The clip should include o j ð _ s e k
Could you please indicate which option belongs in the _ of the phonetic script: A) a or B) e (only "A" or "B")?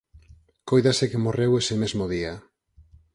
A